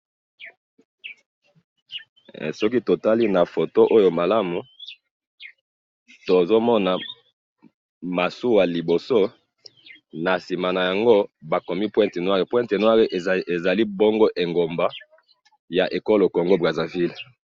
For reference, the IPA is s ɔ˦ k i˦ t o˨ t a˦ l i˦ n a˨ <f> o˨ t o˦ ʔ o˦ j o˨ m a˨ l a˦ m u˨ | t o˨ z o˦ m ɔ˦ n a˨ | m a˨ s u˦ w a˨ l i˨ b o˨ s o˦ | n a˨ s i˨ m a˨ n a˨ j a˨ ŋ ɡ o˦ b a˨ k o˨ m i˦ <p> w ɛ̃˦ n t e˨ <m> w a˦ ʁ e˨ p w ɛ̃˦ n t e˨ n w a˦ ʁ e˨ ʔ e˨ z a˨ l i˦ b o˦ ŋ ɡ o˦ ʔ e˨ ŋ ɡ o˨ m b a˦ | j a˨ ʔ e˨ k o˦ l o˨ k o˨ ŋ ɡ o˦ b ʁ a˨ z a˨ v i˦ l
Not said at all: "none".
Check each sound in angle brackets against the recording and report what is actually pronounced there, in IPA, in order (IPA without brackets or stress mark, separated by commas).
f, p, n